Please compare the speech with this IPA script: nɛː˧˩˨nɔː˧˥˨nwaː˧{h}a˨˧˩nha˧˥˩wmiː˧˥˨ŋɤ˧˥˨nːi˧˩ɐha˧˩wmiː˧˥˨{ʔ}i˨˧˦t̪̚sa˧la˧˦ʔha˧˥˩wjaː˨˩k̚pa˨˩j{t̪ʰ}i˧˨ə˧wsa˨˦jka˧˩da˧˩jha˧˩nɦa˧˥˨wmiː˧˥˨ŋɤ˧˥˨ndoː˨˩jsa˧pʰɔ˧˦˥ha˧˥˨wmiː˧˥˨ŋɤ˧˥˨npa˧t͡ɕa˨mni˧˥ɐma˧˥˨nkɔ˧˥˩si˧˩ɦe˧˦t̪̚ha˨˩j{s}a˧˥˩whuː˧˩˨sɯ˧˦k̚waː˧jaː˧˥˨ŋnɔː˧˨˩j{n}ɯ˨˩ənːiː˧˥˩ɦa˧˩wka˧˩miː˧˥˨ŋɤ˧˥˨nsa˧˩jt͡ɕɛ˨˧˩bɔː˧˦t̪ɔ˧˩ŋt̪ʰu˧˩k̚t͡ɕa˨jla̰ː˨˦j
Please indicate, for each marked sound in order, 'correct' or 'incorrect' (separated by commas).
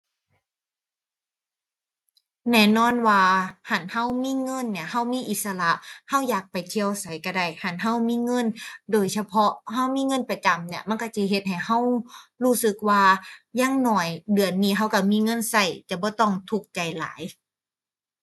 correct, correct, correct, incorrect, incorrect